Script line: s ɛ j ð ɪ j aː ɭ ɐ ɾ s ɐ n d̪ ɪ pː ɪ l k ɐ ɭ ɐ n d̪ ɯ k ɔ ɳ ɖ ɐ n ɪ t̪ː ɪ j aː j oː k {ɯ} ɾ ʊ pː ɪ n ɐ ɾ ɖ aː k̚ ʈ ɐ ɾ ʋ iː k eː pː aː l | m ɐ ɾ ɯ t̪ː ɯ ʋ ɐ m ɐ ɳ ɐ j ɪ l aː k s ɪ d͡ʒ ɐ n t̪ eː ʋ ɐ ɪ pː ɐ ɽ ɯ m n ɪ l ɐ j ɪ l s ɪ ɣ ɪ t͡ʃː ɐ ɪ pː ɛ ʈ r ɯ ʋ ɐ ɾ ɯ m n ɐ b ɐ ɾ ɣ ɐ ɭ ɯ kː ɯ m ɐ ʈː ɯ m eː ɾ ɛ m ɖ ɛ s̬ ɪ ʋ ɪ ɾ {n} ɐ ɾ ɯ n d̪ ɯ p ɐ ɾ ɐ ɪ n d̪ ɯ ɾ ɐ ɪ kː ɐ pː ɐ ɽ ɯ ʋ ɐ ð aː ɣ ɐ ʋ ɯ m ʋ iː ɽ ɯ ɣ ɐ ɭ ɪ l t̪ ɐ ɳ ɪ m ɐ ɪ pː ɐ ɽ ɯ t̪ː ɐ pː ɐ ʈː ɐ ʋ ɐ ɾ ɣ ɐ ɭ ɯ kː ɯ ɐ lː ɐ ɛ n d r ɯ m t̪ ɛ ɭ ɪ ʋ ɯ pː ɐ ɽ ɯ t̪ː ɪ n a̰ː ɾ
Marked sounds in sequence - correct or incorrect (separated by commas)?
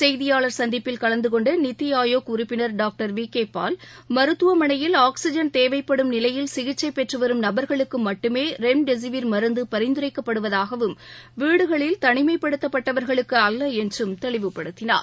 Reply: incorrect, incorrect